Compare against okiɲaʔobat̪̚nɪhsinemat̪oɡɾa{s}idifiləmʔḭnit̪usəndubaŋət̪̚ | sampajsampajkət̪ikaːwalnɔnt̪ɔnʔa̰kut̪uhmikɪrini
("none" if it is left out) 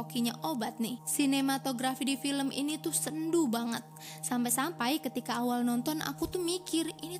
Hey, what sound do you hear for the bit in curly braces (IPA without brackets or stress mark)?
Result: f